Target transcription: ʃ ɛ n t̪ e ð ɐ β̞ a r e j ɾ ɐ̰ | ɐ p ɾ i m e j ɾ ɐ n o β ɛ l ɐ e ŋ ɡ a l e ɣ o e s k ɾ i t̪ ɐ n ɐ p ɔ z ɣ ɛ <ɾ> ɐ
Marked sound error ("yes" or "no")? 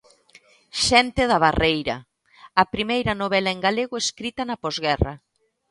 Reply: yes